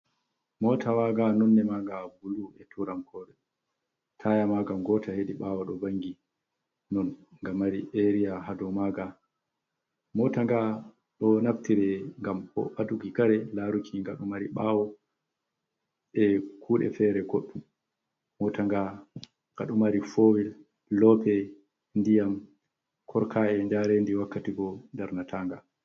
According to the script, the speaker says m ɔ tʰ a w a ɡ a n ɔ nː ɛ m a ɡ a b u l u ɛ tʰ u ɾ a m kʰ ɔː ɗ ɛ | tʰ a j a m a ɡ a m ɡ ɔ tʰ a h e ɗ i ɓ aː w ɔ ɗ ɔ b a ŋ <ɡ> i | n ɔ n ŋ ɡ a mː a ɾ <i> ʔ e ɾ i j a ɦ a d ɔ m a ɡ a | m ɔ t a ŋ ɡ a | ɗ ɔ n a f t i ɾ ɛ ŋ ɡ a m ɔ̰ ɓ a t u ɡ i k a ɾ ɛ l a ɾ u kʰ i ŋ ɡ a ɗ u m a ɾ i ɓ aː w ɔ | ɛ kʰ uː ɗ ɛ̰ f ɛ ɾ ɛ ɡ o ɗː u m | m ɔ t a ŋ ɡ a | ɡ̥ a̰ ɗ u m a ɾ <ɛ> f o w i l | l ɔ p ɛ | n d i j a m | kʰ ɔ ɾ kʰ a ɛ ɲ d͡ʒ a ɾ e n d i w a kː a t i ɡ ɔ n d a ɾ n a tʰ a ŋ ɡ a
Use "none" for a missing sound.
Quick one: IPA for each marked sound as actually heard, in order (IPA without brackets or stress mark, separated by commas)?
ɡ, i, i